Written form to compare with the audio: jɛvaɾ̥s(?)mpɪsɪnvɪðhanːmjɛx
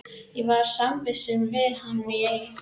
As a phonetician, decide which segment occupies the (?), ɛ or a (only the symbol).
a